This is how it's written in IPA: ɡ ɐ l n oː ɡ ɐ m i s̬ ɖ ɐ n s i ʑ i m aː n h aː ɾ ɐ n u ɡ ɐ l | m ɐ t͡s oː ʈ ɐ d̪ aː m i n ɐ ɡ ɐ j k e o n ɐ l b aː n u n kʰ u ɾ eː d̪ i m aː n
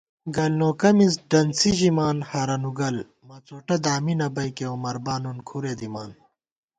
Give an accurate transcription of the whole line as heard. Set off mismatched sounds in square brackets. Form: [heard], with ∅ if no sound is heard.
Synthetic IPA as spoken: ɡ ɐ l n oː [k] ɐ m i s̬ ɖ ɐ n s i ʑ i m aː n h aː ɾ ɐ n u ɡ ɐ l | m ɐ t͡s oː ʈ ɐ d̪ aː m i n ɐ [b] ɐ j k e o [m] ɐ [ɾ] b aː n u n kʰ u ɾ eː d̪ i m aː n

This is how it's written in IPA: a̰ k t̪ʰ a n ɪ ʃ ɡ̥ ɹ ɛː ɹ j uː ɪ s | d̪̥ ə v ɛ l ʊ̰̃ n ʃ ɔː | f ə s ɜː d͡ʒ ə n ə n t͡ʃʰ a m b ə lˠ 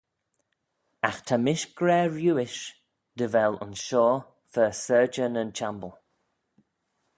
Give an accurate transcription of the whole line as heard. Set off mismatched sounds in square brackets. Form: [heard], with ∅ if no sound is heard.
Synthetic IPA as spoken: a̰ [x] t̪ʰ a [m] ɪ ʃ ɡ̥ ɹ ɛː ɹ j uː ɪ [ʃ] | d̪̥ ə v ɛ l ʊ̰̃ n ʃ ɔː | f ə s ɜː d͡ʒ ə n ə n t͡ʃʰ a m b ə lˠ

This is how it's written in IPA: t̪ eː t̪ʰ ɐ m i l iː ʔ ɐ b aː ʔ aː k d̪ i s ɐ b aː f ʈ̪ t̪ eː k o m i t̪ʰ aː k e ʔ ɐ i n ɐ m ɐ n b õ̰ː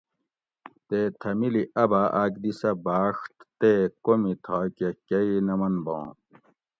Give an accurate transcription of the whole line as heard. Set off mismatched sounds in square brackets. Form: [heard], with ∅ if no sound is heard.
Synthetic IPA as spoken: t̪ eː t̪ʰ ɐ m i l [i] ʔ ɐ b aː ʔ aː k d̪ i s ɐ b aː [ʂ] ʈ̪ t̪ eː k o m i t̪ʰ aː k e [k] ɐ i n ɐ m ɐ n b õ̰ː

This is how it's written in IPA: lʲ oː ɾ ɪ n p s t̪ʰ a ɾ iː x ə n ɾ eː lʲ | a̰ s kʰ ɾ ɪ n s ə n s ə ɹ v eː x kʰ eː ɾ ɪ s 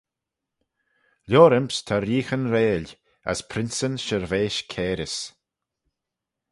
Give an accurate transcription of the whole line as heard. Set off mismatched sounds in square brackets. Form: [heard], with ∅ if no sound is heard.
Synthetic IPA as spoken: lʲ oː ɾ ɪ [m] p s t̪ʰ a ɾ iː x ə n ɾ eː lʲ | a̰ s [pʰ] ɾ ɪ n s ə n [ʃ] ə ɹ v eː [ʃ] kʰ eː ɾ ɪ s

